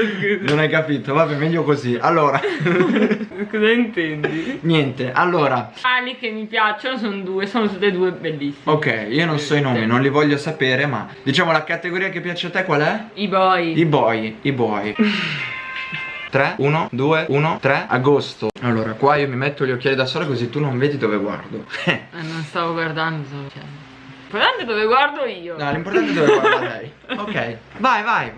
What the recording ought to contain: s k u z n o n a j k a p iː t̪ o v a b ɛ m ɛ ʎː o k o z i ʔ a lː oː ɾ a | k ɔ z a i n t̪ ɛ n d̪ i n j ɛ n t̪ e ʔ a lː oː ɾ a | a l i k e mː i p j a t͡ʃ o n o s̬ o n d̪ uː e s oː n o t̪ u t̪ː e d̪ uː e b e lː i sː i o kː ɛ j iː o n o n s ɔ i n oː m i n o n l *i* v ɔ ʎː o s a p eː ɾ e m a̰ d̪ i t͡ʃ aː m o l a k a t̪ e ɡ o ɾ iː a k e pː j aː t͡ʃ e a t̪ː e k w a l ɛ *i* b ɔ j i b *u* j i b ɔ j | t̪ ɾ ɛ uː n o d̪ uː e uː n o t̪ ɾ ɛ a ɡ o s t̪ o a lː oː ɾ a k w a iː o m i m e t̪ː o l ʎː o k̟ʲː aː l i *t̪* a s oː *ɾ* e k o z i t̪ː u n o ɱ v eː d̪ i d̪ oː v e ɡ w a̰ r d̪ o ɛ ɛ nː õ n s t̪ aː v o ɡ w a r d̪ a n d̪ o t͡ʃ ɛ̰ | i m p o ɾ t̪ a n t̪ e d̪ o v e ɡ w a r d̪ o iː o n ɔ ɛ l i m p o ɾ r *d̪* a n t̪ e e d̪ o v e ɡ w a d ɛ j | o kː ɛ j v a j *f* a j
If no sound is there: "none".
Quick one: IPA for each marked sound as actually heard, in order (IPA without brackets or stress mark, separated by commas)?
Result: i, i, ɔ, d̪, l, t̪, v